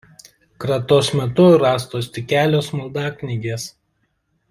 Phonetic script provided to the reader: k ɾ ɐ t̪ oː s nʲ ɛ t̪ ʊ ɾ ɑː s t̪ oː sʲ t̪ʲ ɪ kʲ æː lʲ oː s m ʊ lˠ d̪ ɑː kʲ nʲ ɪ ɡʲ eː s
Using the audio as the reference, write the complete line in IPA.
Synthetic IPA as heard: k ɾ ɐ t̪ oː s mʲ ɛ t̪ ʊ ɾ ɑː s t̪ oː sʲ t̪ʲ ɪ kʲ æː lʲ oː s m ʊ lˠ d̪ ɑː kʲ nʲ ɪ ɡʲ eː s